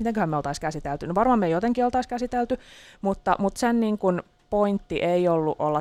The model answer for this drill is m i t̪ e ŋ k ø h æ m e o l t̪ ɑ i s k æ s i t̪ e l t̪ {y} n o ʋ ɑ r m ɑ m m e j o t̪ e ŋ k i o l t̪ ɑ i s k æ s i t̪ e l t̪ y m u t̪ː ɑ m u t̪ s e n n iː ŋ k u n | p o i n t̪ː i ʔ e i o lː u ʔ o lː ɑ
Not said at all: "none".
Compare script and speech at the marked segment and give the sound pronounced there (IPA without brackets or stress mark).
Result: y